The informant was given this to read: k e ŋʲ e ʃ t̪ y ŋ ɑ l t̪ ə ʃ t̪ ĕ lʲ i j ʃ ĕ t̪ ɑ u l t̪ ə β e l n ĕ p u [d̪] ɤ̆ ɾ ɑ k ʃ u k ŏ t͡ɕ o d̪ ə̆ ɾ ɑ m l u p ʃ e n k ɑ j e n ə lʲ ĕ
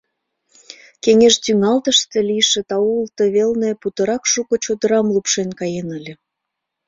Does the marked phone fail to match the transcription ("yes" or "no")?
yes